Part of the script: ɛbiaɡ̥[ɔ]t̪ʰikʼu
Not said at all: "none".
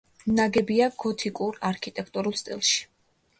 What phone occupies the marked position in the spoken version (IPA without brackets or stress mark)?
ɔ